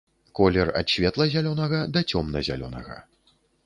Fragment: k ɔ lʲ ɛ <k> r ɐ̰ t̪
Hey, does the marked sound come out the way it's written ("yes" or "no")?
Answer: no